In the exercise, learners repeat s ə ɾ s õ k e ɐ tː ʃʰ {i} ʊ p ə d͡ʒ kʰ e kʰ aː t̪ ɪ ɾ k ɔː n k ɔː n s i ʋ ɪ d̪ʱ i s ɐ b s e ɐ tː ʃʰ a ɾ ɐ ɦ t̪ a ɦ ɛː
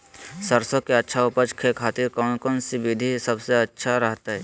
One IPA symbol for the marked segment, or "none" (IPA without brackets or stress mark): a